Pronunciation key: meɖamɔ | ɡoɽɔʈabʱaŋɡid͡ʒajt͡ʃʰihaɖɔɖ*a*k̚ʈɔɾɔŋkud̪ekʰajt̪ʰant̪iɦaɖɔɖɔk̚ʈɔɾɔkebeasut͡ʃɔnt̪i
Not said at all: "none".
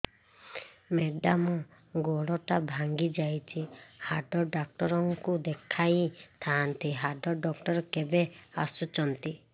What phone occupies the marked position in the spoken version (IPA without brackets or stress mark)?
a